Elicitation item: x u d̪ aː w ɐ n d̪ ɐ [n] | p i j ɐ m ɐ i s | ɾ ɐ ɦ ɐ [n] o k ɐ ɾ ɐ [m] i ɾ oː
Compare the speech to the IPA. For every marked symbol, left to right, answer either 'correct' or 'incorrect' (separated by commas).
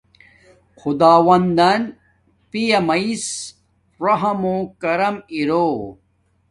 correct, incorrect, correct